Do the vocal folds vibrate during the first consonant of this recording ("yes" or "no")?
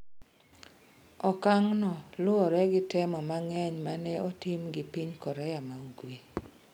no